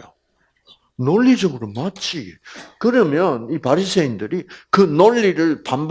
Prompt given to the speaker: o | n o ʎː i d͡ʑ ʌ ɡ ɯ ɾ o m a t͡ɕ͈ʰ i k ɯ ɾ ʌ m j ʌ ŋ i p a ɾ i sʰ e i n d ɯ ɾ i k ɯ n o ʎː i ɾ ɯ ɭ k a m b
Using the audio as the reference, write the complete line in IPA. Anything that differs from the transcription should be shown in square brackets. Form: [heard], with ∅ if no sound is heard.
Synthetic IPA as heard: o | n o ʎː i d͡ʑ ʌ ɡ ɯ ɾ o m a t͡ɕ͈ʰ i k ɯ ɾ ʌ m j ʌ [n] i p a ɾ i sʰ e i n d ɯ ɾ i k ɯ n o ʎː i ɾ ɯ ɭ [p] a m b